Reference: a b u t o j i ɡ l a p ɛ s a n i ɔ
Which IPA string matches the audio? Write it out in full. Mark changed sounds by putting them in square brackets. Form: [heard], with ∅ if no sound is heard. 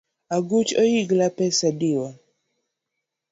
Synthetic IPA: a [ɡ] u [t͡ʃ] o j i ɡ l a p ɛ s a [d] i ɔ